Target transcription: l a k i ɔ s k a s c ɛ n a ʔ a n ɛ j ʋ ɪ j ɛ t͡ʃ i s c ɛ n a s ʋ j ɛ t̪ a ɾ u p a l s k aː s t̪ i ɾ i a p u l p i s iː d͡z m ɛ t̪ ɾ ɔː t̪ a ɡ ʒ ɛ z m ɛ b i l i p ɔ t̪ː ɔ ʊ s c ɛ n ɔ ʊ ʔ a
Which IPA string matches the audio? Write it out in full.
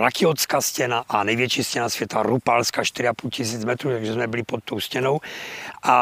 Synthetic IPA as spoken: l a k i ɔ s k a s c ɛ n a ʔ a n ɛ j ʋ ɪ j ɛ t͡ʃ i s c ɛ n a s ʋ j ɛ t̪ a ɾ u p a l s k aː ʃ t̪ i ɾ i a p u l c i s iː d͡z m ɛ t̪ ɾ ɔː t̪ a ɡ ʒ ɛ z m ɛ b i l i p ɔ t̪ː ɔ ʊ s c ɛ n ɔ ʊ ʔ a